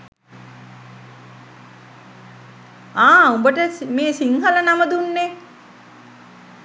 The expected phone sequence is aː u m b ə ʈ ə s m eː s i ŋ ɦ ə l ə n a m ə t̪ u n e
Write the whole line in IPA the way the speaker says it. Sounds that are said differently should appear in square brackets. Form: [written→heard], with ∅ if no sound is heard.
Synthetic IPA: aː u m b ə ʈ ə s m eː s i ŋ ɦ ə l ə n a m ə [t̪→d̪] u [n→nː] e